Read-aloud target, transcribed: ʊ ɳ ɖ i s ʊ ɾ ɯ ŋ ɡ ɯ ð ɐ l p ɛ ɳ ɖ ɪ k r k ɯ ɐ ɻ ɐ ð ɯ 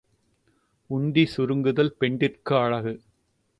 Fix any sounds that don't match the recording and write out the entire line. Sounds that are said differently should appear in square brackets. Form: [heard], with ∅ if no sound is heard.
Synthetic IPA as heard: ʊ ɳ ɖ i s ʊ ɾ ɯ ŋ ɡ ɯ ð ɐ l p ɛ ɳ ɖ ɪ [∅] r k ɯ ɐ ɻ ɐ [ɣ] ɯ